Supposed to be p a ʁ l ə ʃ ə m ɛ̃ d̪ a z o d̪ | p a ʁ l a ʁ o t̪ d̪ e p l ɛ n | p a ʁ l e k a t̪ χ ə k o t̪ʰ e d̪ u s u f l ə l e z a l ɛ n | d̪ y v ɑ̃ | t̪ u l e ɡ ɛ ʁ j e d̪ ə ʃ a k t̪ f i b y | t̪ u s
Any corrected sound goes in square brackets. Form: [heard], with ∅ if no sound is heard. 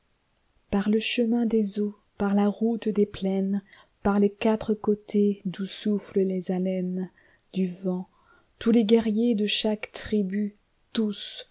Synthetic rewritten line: p a ʁ l ə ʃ ə m ɛ̃ d̪ [e] z o [∅] | p a ʁ l a ʁ [u] t̪ d̪ e p l ɛ n | p a ʁ l e k a t̪ χ ə k o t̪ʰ e d̪ u s u f l ə l e z a l ɛ n | d̪ y v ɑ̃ | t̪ u l e ɡ ɛ ʁ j e d̪ ə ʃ a k t̪ [χ] i b y | t̪ u s

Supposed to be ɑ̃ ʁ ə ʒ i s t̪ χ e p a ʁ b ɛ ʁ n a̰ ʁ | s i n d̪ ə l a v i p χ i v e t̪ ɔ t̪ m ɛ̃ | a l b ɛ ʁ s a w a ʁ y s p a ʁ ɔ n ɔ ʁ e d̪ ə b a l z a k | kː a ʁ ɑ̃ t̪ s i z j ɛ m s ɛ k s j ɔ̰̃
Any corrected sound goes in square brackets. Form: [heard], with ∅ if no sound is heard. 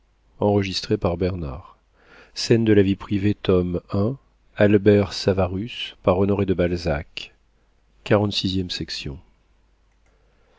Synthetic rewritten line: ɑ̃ ʁ ə ʒ i s t̪ χ e p a ʁ b ɛ ʁ n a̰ ʁ | s [ɛ] n d̪ ə l a v i p χ i v e t̪ ɔ [∅] m ɛ̃ | a l b ɛ ʁ s a [v] a ʁ y s p a ʁ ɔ n ɔ ʁ e d̪ ə b a l z a k | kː a ʁ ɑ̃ t̪ s i z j ɛ m s ɛ k s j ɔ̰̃

